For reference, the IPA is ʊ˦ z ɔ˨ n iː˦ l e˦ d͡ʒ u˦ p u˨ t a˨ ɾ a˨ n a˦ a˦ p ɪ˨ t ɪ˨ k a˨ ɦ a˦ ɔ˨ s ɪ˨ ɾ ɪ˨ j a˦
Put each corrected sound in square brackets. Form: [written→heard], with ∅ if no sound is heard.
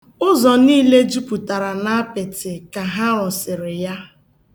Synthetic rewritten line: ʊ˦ z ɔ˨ n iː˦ l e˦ d͡ʒ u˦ p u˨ t a˨ ɾ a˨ n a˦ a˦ p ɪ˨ t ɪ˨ k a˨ ɦ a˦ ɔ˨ s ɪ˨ ɾ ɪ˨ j a˦